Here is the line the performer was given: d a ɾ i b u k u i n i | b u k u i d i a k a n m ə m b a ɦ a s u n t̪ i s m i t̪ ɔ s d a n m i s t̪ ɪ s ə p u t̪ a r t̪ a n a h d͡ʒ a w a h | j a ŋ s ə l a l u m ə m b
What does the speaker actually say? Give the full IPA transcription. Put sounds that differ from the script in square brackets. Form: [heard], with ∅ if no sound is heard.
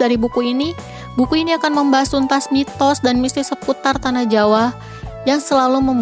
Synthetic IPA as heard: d a ɾ i b u k u i n i | b u k u i [n] i a k a n m ə m b a ɦ a s u n t̪ [a] s m i t̪ ɔ s d a n m i s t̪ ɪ s ə p u t̪ a r t̪ a n a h d͡ʒ a w a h | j a ŋ s ə l a l u m ə m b